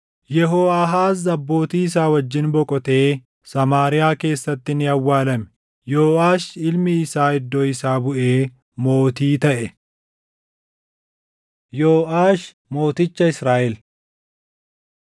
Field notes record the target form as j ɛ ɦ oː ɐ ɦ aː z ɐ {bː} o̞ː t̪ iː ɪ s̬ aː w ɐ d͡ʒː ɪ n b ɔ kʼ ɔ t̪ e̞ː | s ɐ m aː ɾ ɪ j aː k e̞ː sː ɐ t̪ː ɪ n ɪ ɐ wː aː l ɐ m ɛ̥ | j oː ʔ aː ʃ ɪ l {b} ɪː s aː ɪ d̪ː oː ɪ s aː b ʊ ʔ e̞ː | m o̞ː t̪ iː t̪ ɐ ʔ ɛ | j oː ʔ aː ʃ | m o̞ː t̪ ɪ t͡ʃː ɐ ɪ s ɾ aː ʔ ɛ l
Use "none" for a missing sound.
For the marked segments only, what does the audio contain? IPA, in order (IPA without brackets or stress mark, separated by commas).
bː, m